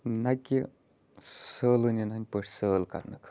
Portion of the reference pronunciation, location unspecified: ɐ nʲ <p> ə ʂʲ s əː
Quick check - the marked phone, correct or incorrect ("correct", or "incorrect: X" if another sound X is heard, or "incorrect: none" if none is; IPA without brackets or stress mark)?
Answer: correct